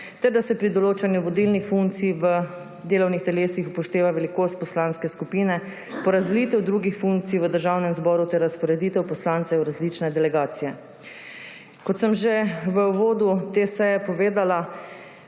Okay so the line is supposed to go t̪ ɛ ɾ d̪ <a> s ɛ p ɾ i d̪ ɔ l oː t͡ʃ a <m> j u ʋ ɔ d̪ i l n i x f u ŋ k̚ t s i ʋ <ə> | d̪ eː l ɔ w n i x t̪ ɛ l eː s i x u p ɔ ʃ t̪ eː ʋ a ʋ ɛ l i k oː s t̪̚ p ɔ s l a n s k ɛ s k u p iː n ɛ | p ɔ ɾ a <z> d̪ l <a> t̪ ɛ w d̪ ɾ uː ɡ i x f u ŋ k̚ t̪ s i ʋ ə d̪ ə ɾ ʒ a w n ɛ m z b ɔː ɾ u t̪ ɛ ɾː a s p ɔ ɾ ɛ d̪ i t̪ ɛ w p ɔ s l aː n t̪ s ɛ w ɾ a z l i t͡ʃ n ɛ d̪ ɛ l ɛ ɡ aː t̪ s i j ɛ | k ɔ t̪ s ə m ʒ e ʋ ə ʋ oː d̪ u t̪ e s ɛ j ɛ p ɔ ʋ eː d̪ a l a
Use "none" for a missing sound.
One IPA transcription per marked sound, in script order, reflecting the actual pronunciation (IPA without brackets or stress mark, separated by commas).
a, n, ə, z, i